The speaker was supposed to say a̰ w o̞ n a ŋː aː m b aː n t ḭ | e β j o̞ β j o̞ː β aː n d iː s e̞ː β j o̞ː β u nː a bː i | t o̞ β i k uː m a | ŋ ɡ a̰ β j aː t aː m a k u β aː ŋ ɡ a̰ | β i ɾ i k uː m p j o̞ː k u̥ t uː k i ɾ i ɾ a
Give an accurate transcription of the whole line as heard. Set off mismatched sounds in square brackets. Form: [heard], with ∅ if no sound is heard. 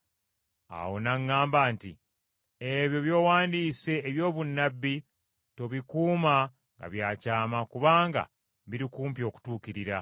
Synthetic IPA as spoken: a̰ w o̞ n a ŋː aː m b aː n t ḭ | e β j o̞ β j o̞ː [w] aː n d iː s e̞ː β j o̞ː β u nː a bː i | t o̞ β i k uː m a | ŋ ɡ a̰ β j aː [c] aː m a k u β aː ŋ ɡ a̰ | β i ɾ i k uː m p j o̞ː k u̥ t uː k i ɾ i ɾ a